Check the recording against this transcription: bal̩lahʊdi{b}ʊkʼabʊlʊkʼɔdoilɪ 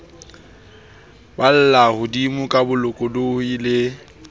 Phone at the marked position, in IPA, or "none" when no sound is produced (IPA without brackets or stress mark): m